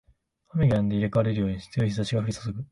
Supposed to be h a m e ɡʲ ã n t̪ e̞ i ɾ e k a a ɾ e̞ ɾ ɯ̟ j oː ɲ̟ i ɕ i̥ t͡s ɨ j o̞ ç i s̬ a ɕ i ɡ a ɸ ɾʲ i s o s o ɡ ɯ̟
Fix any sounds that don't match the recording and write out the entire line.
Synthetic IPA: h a m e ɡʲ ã n d̪ e̞ i ɾ e k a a ɾ e̞ ɾ ɯ̟ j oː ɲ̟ i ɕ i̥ t͡s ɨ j o̞ ç i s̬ a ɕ i ɡ a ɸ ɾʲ i s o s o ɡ ɯ̟